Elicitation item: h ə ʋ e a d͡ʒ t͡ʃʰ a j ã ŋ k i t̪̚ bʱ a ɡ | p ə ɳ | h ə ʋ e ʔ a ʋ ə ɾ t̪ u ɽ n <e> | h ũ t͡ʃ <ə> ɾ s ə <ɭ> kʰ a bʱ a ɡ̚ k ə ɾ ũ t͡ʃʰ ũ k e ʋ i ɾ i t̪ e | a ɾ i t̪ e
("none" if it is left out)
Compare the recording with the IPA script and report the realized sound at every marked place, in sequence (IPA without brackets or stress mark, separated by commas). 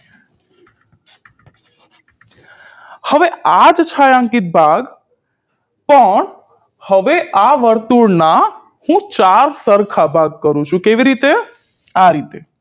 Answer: a, a, ɾ